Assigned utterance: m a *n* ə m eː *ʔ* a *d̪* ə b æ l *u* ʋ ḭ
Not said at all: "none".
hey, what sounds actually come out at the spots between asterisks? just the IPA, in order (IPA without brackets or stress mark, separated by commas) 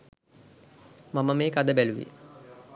m, k, d̪, u